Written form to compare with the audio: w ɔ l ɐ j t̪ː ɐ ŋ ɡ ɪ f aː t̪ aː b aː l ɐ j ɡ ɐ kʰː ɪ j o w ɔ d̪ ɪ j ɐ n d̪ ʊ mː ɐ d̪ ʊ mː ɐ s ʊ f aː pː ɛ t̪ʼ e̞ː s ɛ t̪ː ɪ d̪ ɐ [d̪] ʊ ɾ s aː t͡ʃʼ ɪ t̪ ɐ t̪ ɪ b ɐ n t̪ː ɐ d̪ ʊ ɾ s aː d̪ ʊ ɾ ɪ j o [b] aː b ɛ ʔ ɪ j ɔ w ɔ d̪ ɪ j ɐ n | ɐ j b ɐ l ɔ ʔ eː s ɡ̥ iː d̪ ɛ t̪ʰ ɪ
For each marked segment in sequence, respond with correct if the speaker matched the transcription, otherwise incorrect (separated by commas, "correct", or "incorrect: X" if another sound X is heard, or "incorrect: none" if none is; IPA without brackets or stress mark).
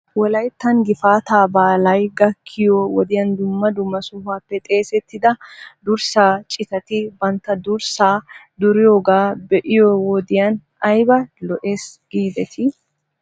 correct, incorrect: ɡ